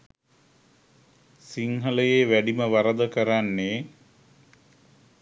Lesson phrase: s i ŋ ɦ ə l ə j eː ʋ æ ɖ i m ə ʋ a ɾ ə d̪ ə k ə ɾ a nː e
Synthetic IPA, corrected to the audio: s i ŋ ɦ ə l ə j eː ʋ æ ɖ i m ə ʋ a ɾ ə d̪ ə k ə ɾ a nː e